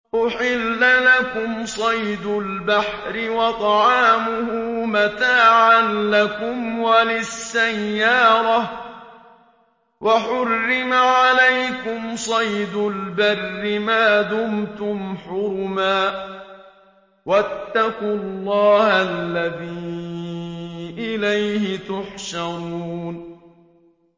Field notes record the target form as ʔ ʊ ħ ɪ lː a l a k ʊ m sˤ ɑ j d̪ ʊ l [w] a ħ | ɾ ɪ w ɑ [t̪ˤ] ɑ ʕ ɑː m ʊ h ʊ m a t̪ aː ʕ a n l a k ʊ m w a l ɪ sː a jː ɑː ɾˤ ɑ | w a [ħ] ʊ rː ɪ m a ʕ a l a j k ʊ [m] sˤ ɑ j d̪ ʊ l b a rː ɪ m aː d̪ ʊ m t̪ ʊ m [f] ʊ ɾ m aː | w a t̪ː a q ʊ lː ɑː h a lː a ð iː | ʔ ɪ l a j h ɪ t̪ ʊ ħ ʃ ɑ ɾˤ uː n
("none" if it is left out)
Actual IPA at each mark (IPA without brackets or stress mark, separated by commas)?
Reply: b, t̪ˤ, ħ, m, ħ